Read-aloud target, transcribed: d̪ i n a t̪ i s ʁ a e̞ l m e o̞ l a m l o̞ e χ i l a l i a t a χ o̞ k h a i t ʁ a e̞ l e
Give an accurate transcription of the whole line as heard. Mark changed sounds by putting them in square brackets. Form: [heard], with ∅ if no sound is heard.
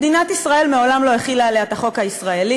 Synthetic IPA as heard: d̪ i n a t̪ i s ʁ a e̞ l m e o̞ l a m l o̞ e χ i l a l [e] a t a χ o̞ k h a i [s] ʁ a e̞ l [i]

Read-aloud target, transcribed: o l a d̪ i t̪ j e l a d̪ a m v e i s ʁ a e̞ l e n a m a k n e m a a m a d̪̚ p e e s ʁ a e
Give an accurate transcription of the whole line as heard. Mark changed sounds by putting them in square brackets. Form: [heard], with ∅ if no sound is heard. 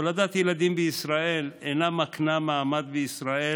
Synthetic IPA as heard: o l a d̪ [a] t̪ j e l a d̪ [i] m [b] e i s ʁ a e̞ l e n a m a k n [a] m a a m a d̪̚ [b] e [i] s ʁ a e

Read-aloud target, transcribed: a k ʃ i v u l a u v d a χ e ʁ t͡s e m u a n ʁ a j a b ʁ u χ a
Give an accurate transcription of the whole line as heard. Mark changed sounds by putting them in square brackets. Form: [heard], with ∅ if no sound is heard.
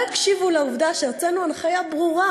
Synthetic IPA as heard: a k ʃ i v u l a u v d a [ʃ] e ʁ t͡s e [n] u a n [χ] a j a b ʁ u [ʁ] a

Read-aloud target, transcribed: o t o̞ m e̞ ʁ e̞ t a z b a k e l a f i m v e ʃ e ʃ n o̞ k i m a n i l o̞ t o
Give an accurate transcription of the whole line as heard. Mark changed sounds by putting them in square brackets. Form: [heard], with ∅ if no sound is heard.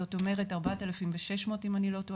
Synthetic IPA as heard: o t o̞ m e̞ ʁ e̞ t a [ʁ] b a [t] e l a f i m v e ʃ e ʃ [m] o̞ [t] i m a n i l o̞ t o

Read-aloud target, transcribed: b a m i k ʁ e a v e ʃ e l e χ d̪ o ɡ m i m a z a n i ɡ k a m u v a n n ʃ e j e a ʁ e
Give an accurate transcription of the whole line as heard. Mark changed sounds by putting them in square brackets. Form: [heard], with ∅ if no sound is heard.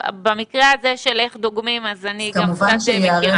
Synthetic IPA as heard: b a m i k ʁ e a [z] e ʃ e l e χ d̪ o ɡ m i m a z a n i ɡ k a m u v a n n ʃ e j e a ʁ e

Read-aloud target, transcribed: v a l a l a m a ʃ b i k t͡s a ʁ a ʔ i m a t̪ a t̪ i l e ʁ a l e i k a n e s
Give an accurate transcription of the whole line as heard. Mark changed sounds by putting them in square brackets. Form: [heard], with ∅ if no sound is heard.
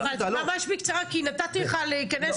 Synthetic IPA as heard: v a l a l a m a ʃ b i k t͡s a ʁ a [k] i [n] a t̪ a t̪ i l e [χ] a l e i k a n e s

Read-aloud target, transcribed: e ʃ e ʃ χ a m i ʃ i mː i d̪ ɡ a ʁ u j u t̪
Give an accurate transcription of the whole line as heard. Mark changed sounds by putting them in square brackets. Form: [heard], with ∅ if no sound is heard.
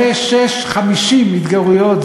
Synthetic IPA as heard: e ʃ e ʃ χ a m i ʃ i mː i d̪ ɡ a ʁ u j [o] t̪

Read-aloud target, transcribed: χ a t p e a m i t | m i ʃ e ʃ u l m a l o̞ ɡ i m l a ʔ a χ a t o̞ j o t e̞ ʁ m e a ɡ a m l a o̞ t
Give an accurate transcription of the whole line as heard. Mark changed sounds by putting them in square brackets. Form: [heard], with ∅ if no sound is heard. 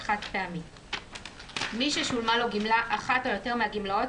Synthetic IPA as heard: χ a t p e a m i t | m i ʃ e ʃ u l m a l o̞ ɡ i m l a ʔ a χ a t o̞ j o t e̞ ʁ m e a ɡ [i] m l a o̞ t

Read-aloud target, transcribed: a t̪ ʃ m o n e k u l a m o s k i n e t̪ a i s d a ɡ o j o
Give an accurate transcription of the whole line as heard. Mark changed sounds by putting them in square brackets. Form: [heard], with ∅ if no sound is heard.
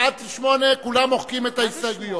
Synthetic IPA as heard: a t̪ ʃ m o n e k u l a m o [χ] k i [m] e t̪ a i s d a ɡ [u] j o

